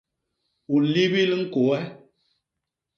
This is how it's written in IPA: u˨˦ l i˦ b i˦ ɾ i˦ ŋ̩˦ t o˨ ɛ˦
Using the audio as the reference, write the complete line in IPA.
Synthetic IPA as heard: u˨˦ l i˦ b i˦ l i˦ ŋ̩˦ k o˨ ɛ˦